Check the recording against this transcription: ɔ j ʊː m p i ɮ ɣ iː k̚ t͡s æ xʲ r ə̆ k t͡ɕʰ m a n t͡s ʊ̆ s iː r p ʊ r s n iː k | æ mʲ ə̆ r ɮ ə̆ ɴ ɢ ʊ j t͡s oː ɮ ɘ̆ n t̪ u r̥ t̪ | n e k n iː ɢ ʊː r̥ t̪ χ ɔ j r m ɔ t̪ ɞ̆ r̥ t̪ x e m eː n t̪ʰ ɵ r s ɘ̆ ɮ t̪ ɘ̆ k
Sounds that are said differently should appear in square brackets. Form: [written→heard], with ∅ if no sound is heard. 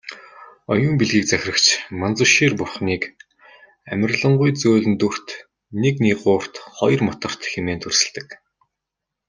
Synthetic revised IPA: ɔ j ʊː m p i ɮ ɣ iː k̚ t͡s æ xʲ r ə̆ k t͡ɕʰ m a n t͡s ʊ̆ [s→ʃ] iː r p ʊ r [s→χ] n iː k | æ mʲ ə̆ r ɮ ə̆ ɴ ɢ ʊ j t͡s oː ɮ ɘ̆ n t̪ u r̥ t̪ | n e k n iː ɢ ʊː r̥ t̪ χ ɔ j r m ɔ t̪ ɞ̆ r̥ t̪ x e m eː n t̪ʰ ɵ r s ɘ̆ ɮ t̪ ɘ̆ k